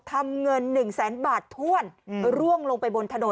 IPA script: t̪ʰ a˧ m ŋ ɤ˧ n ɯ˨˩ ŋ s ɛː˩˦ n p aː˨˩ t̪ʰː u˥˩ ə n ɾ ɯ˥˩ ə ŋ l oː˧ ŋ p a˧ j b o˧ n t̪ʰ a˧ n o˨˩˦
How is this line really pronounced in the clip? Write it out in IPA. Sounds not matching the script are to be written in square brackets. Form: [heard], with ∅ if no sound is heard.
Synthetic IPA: t̪ʰ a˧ m ŋ ɤ˧ [nː] ɯ˨˩ ŋ s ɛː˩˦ n [b] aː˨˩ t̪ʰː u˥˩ ə n ɾ [u˥˩] ə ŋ l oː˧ ŋ p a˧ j b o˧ n t̪ʰ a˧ n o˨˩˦